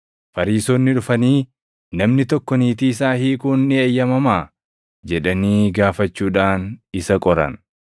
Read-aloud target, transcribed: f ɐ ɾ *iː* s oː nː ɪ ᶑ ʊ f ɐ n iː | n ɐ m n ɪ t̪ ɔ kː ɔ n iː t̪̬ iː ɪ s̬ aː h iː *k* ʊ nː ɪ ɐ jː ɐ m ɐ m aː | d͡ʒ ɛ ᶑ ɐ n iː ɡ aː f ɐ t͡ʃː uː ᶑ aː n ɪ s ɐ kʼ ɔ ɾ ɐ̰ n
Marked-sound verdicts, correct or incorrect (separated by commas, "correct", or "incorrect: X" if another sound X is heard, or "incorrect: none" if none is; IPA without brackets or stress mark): correct, correct